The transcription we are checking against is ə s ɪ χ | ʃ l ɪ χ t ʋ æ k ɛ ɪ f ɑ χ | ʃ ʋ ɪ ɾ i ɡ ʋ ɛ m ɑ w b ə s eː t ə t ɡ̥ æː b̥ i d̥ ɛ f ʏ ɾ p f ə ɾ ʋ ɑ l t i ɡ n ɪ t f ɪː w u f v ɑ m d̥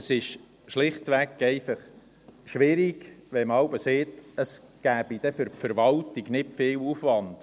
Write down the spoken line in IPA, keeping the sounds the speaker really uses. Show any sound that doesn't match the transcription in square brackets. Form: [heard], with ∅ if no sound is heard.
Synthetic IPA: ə s ɪ [ʃ] | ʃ l ɪ χ t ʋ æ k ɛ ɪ f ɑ χ | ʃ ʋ ɪ ɾ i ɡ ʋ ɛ m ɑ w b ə s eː t ə [s] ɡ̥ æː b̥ i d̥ ɛ f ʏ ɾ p f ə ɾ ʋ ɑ l t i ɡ n ɪ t f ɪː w u f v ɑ [n] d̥